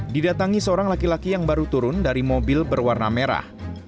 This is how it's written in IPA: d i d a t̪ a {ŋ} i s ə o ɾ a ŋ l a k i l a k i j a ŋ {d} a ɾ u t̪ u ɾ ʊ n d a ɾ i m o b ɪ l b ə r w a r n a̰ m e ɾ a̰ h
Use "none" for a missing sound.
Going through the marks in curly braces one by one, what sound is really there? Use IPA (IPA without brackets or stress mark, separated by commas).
ŋ, b